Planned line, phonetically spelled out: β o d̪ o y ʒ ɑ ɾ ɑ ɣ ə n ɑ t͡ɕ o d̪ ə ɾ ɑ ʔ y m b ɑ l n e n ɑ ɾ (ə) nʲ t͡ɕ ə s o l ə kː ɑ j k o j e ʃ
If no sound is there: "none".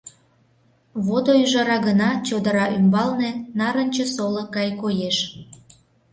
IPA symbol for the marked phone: ə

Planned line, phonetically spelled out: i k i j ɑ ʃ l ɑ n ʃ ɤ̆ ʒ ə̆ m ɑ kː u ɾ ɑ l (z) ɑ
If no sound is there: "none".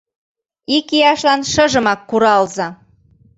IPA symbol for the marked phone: z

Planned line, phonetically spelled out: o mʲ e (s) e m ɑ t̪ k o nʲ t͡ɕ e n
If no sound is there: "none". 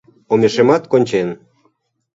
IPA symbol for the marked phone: ʃ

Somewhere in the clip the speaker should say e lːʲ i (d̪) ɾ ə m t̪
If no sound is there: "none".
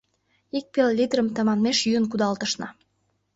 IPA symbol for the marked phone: d̪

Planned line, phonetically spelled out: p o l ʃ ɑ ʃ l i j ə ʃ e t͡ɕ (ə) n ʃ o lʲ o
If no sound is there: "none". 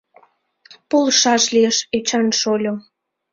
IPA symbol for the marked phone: ɑ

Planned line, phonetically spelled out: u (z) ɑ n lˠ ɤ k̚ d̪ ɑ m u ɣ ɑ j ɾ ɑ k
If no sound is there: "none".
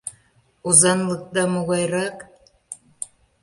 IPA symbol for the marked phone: z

